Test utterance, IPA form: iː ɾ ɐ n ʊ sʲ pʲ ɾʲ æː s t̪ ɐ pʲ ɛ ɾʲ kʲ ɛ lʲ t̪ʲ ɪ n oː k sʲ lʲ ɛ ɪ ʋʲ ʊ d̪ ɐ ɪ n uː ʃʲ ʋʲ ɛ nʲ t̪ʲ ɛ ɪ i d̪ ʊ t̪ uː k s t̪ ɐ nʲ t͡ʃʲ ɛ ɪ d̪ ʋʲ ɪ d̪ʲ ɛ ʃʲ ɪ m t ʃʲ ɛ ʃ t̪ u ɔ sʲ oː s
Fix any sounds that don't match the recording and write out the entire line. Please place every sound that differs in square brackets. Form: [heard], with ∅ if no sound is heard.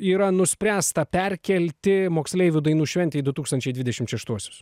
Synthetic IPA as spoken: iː ɾ ɐ n ʊ sʲ pʲ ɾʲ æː s t̪ ɐ pʲ ɛ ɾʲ kʲ ɛ lʲ t̪ʲ ɪ [m] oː k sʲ lʲ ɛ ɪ ʋʲ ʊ d̪ ɐ ɪ n uː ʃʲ ʋʲ ɛ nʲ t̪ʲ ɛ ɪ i d̪ ʊ t̪ uː k s t̪ ɐ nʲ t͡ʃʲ ɛ ɪ d̪ ʋʲ ɪ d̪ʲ ɛ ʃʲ ɪ m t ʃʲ ɛ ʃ t̪ u ɔ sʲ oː s